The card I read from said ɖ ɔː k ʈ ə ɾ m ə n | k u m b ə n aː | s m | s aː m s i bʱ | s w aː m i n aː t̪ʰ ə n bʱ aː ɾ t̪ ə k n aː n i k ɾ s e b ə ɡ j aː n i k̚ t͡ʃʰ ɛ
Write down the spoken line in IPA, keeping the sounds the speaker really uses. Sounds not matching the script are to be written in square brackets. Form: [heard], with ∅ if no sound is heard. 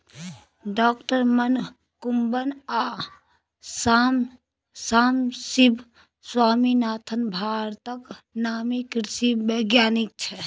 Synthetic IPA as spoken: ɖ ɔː k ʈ ə ɾ m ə n | k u m b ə n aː | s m | s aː m s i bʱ | s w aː m i n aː t̪ʰ ə n bʱ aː ɾ t̪ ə k n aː [m] i k ɾ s [i] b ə ɡ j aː n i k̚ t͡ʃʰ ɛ